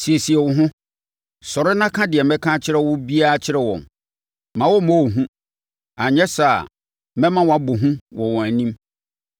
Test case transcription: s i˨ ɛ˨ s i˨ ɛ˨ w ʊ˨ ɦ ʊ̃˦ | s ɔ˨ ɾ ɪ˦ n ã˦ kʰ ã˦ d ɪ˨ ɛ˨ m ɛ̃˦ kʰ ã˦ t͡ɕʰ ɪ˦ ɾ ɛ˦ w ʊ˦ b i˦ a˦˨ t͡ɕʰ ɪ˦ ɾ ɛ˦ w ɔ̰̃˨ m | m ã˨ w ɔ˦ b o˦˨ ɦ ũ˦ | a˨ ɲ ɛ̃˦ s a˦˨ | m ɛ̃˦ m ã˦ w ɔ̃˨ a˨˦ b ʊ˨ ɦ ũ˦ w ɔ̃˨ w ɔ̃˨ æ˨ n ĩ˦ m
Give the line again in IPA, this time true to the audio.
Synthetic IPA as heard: s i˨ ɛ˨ s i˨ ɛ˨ w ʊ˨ ɦ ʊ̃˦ | s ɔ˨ ɾ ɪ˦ n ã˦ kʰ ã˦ d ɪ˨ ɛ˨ m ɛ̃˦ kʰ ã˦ t͡ɕʰ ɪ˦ ɾ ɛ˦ w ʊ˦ b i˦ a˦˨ t͡ɕʰ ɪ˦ ɾ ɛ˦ w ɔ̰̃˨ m | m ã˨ w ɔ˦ m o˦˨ ɦ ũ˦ | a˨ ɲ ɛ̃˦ s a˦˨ | m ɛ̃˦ m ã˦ w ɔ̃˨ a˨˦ b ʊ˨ ɦ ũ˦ w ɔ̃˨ w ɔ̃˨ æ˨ n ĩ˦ m